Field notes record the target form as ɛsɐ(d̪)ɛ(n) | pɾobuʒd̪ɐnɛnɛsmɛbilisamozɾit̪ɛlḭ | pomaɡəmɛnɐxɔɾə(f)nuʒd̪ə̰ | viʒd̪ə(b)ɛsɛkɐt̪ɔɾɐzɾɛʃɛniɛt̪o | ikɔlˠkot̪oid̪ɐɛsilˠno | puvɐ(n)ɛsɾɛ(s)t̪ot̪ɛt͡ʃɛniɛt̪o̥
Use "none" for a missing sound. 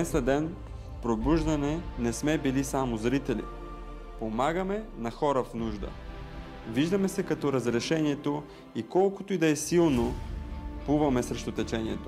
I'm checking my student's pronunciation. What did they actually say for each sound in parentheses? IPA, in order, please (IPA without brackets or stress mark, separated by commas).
d̪, n, f, m, m, ʃ